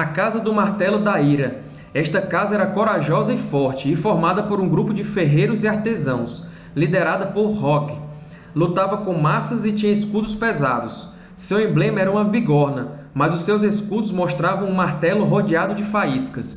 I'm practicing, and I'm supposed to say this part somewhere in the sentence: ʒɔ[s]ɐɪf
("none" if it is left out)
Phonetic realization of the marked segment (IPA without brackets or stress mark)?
z